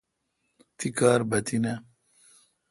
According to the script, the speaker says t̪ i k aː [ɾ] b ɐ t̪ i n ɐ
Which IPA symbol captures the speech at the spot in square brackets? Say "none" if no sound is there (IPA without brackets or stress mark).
ɾ